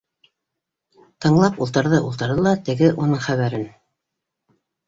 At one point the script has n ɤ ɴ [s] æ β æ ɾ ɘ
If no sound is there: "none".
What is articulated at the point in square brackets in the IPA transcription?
χ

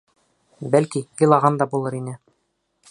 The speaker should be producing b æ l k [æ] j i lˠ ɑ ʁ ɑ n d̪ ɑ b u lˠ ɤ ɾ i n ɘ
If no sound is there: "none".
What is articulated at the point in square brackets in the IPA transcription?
i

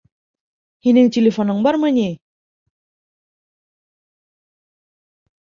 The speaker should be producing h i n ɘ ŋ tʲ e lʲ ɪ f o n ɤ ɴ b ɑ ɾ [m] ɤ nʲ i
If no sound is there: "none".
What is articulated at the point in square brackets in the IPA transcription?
m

